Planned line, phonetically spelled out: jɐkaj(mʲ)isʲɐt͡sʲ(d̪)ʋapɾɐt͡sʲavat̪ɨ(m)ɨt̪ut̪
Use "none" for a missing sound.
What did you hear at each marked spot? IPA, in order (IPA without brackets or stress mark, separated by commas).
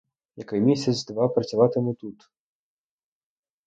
mʲ, d̪, m